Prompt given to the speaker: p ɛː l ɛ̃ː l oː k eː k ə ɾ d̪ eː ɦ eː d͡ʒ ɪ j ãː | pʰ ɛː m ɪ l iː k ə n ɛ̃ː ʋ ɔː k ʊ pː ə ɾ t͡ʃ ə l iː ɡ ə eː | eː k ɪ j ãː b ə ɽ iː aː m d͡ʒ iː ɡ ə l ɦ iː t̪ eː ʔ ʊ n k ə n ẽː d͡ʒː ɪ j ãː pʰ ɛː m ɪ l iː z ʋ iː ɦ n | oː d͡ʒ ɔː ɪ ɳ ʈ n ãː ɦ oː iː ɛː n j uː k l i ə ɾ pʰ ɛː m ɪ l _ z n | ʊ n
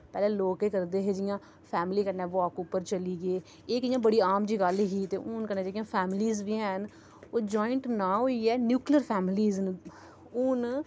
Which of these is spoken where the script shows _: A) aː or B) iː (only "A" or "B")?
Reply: B